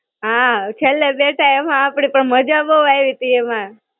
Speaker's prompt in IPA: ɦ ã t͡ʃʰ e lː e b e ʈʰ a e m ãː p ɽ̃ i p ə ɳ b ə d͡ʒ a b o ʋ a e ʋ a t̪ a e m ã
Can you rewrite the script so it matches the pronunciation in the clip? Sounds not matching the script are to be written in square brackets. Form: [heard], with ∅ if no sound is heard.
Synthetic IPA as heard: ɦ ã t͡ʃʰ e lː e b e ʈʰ a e m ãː p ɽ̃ i p ə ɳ [m] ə d͡ʒ a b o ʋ a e ʋ [i] t̪ [i] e m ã